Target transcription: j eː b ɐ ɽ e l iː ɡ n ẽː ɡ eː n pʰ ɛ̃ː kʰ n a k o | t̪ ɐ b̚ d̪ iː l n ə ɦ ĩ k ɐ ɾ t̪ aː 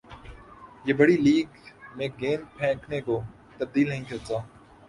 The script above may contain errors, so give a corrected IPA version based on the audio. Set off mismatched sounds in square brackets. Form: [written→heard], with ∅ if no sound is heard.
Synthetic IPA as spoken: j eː b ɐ ɽ [e→i] l iː ɡ [n→m] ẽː ɡ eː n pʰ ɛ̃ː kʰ n [a→e] k o | t̪ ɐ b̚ d̪ iː l n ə ɦ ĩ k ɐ ɾ t̪ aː